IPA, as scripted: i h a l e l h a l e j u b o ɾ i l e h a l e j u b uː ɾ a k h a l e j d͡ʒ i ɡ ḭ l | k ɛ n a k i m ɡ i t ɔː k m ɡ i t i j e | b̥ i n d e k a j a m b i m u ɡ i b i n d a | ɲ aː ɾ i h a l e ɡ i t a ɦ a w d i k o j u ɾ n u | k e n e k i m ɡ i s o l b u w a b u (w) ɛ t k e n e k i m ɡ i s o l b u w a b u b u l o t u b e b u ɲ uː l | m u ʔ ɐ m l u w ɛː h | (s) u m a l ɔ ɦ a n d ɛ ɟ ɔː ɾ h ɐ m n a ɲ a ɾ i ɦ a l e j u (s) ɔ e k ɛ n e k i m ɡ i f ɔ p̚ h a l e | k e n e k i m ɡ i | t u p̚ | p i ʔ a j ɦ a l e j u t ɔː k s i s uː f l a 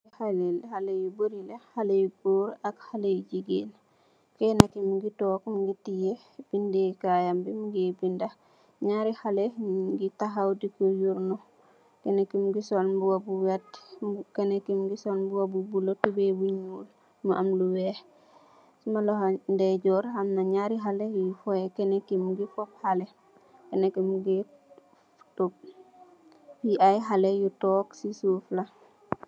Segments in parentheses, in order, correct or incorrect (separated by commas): correct, correct, incorrect